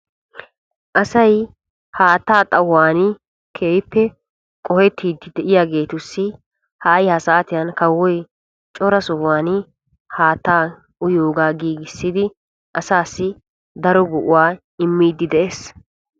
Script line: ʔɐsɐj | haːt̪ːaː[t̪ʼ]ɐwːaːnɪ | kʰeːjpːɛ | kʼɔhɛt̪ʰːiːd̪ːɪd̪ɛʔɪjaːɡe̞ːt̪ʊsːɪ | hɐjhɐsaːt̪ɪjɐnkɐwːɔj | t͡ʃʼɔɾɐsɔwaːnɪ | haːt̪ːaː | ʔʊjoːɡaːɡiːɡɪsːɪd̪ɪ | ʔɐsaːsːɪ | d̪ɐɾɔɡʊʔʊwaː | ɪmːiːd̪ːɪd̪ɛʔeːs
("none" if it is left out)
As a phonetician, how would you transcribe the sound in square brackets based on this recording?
t̪ʼ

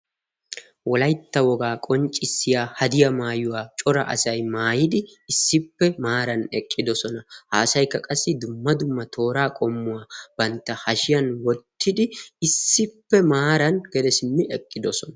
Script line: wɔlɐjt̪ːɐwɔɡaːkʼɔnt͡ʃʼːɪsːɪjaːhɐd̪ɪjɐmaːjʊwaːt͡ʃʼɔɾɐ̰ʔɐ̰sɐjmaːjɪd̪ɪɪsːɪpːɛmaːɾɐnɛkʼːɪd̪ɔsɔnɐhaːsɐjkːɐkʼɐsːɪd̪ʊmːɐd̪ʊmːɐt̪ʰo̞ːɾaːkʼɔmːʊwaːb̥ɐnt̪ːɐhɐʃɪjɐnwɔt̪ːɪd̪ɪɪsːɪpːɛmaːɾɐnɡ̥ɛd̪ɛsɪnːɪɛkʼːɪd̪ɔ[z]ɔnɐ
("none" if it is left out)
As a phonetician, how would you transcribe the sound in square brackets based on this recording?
s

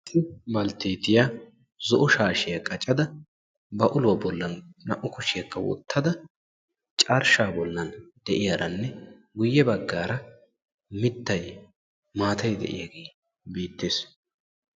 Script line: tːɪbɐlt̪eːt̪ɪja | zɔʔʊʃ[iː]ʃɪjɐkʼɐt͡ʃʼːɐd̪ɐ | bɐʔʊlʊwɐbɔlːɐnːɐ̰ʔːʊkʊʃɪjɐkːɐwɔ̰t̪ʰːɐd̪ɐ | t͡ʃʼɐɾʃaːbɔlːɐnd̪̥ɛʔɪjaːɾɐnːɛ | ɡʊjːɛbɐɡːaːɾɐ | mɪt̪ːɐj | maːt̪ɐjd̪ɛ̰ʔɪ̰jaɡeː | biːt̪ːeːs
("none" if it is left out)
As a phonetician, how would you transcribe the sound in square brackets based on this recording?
aː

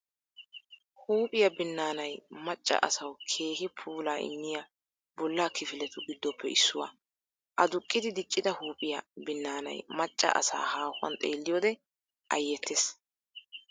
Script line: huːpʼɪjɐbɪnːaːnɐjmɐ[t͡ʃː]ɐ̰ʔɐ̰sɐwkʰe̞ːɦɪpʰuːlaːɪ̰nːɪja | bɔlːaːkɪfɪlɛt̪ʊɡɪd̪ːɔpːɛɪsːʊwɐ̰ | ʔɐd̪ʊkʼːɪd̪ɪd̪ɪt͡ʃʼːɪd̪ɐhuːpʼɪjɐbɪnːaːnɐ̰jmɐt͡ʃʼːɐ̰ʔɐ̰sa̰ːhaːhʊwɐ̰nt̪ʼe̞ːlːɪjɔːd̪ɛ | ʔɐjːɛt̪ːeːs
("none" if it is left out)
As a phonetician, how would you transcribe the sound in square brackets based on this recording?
t͡ʃʼː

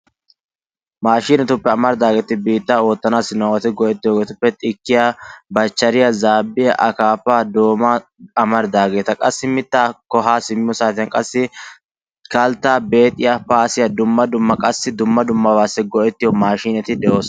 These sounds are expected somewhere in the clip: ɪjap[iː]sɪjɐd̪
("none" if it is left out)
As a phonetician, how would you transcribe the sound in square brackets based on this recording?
aː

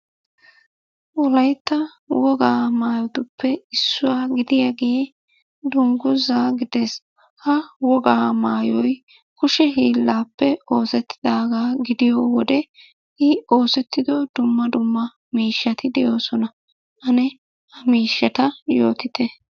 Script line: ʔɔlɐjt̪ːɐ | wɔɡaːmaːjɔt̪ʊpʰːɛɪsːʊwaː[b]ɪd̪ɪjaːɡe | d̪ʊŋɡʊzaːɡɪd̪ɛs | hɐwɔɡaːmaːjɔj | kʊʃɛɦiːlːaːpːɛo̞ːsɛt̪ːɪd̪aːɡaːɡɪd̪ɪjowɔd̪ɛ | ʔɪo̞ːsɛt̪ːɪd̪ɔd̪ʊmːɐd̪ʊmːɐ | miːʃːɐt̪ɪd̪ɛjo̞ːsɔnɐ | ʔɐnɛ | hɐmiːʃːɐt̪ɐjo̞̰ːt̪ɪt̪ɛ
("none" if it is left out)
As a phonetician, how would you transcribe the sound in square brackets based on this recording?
ɡ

